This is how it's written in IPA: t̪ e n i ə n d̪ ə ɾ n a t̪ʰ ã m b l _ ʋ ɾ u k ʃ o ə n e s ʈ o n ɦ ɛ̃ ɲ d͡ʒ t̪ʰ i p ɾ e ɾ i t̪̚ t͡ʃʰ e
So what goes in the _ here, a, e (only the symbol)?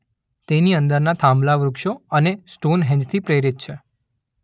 a